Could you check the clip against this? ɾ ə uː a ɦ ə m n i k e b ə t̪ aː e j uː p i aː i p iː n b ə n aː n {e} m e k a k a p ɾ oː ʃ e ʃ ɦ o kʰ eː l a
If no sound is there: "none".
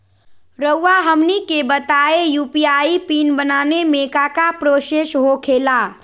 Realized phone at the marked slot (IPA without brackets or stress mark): e